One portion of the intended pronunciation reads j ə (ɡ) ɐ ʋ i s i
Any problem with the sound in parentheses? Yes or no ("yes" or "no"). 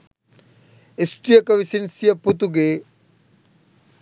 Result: yes